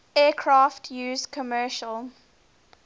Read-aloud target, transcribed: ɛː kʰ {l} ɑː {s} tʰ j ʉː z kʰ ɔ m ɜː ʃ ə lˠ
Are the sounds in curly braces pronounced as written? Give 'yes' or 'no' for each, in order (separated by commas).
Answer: no, no